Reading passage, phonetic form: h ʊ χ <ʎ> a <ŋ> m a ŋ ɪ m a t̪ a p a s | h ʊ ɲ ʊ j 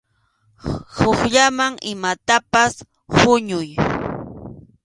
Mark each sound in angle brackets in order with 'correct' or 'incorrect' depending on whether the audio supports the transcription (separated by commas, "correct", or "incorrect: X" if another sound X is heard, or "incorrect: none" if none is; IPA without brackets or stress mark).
correct, incorrect: none